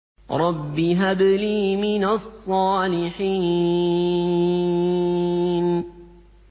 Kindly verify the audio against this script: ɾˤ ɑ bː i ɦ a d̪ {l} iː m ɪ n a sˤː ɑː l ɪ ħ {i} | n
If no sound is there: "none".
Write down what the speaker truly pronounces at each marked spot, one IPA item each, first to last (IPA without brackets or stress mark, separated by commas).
l, iː